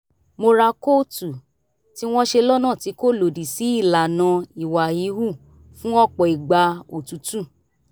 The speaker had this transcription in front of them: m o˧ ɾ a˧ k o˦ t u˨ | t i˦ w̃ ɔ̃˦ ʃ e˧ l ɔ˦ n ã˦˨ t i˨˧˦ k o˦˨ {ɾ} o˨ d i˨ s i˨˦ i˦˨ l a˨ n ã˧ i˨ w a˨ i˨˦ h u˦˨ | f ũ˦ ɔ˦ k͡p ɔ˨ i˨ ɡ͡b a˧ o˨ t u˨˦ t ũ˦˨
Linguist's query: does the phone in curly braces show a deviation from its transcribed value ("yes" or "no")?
yes